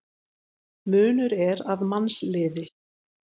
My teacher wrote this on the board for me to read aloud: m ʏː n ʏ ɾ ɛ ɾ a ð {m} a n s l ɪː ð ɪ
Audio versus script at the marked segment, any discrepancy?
no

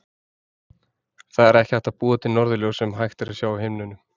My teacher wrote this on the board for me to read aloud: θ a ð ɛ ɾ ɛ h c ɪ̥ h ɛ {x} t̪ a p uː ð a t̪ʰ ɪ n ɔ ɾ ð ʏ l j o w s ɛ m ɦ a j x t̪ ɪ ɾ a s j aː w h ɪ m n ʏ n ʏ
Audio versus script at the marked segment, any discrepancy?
yes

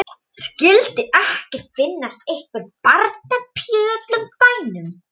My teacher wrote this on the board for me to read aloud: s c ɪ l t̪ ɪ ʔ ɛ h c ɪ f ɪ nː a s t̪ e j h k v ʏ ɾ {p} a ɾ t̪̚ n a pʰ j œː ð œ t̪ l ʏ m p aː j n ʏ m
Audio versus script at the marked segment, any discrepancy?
no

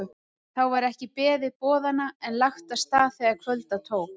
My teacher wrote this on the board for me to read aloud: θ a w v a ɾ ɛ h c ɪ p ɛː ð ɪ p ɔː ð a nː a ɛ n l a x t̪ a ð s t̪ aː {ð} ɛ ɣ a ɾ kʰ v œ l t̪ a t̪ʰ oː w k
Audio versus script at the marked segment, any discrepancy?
yes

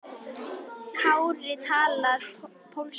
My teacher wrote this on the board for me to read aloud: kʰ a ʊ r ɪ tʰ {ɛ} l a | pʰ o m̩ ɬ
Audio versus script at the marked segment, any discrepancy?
yes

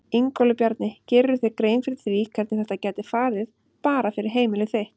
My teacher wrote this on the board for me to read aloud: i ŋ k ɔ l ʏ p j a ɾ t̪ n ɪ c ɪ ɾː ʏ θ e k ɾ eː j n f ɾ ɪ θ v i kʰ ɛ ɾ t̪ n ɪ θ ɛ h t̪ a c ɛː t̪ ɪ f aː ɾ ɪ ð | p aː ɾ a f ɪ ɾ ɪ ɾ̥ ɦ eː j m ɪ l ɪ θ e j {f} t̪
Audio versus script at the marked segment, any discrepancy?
yes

